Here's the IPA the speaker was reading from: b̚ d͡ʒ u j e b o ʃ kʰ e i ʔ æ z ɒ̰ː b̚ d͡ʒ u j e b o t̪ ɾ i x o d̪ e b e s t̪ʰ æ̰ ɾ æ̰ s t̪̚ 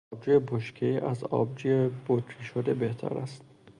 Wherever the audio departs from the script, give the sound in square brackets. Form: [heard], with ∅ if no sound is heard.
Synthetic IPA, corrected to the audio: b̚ d͡ʒ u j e b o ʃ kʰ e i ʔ æ z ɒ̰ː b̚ d͡ʒ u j e b o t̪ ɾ i [ʃ] o d̪ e b e [h] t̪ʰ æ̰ ɾ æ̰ s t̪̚

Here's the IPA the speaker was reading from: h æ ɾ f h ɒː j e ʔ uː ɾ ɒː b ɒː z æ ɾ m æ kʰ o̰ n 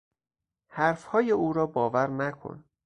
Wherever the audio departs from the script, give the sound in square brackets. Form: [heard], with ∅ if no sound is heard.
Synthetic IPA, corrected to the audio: h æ ɾ f h ɒː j e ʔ uː ɾ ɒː b ɒː [v] æ ɾ [n] æ kʰ o̰ n

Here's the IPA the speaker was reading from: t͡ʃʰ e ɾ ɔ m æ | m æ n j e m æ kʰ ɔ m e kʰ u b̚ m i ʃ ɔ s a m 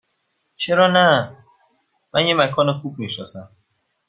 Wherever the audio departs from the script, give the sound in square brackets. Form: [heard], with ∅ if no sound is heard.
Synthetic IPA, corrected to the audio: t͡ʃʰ e ɾ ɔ [n] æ | m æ n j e m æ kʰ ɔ [n] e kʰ u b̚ m i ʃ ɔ s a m

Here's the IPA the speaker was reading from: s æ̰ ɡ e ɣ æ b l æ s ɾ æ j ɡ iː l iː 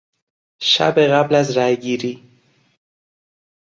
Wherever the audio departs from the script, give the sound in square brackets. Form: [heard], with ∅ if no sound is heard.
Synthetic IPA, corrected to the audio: [ʃ] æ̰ [b] e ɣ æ b l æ [z] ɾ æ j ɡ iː [ɾ] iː

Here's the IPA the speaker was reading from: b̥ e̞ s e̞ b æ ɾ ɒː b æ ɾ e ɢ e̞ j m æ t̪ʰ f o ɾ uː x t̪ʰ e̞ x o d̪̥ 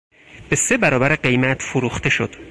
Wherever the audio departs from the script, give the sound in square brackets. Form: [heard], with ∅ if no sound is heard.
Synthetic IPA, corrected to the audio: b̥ e̞ s e̞ b æ ɾ ɒː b æ ɾ e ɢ e̞ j m æ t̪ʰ f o ɾ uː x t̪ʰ e̞ [ʃ] o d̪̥

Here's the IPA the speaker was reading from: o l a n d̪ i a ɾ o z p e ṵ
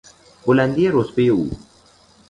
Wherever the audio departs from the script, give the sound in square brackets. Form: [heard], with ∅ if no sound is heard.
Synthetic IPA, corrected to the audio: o l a n d̪ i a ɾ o [s] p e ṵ

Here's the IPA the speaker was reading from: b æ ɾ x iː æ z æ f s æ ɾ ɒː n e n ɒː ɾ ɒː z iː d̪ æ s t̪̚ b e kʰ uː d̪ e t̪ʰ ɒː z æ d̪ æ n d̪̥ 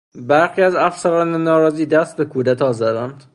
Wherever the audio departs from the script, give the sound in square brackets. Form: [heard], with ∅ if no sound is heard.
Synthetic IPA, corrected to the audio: b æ ɾ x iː æ z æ f s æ ɾ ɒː n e n ɒː ɾ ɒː z iː d̪ æ s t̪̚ b e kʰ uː d̪ [æ] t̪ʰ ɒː z æ d̪ æ n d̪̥

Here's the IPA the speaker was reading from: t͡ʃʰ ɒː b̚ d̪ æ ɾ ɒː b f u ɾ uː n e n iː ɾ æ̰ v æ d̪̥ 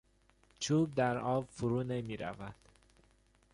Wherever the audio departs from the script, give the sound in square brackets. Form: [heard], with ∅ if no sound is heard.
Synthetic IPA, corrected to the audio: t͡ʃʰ [uː] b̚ d̪ æ ɾ ɒː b f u ɾ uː n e [m] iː ɾ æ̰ v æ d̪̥

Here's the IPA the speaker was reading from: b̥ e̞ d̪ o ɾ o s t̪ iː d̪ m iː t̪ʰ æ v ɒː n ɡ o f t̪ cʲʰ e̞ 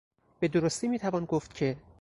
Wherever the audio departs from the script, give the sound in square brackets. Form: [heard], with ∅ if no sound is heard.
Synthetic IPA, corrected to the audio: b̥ e̞ d̪ o ɾ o s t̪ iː [∅] m iː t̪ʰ æ v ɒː n ɡ o f t̪ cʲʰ e̞

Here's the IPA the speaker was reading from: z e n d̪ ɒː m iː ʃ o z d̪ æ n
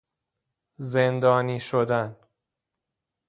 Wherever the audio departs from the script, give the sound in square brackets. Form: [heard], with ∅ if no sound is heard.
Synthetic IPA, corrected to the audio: z e n d̪ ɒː [n] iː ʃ o [∅] d̪ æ n

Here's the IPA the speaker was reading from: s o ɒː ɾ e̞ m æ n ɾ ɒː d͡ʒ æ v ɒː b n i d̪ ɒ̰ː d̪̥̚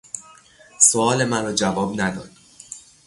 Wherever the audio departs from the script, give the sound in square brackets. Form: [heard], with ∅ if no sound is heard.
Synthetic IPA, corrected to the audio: s o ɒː [l] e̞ m æ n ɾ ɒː d͡ʒ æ v ɒː b n [æ] d̪ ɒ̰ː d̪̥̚

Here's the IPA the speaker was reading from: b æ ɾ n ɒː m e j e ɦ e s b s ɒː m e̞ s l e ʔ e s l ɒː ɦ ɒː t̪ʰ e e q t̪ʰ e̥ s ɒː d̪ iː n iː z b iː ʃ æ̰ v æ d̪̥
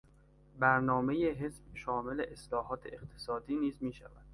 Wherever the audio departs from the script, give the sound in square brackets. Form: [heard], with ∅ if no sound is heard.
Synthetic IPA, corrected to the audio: b æ ɾ n ɒː m e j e ɦ e s b [ʃ] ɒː m e̞ [∅] l e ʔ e s l ɒː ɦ ɒː t̪ʰ e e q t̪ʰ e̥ s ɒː d̪ iː n iː z [m] iː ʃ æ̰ v æ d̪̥

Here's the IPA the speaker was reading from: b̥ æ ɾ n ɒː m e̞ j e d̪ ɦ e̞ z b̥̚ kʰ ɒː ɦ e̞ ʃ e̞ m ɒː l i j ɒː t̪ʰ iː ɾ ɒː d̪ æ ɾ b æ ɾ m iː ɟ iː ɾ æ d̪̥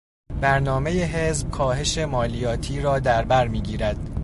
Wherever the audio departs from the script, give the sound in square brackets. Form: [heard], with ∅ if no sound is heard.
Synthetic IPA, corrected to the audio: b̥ æ ɾ n ɒː m e̞ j e [∅] ɦ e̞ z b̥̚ kʰ ɒː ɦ e̞ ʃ e̞ m ɒː l i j ɒː t̪ʰ iː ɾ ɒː d̪ æ ɾ b æ ɾ m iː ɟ iː ɾ æ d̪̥

